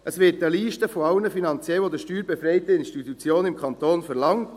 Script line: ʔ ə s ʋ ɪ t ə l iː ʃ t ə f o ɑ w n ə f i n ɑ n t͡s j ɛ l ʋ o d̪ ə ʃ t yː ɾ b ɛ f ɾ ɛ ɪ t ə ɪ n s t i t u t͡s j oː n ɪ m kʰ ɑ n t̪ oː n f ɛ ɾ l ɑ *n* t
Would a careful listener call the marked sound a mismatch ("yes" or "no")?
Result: yes